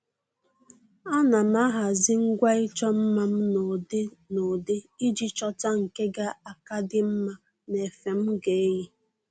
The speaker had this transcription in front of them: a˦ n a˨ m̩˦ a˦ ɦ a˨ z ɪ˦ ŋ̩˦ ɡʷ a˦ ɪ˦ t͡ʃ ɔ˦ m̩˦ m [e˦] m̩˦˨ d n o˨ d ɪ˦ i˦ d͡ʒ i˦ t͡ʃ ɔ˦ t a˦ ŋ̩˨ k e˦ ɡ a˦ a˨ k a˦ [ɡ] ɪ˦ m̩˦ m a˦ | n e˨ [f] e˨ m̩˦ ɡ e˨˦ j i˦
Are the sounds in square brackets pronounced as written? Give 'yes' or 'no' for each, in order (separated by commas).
no, no, yes